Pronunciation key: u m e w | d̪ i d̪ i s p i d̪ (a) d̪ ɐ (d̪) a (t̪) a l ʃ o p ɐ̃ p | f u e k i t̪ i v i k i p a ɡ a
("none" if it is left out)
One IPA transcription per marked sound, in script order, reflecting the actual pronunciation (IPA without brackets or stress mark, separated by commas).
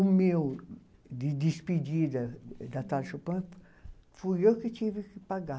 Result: i, d̪, t̪